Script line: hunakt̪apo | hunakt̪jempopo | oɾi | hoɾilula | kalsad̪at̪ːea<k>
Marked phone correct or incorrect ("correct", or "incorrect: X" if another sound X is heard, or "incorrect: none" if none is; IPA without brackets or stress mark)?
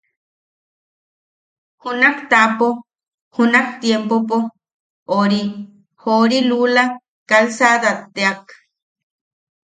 correct